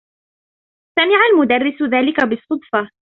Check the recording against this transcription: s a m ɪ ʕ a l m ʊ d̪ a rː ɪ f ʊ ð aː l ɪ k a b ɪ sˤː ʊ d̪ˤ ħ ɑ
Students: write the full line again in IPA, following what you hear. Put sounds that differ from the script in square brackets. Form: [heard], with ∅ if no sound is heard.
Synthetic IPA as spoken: s a m ɪ ʕ a l m ʊ d̪ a rː ɪ [s] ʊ ð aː l ɪ k a b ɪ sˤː ʊ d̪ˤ [f] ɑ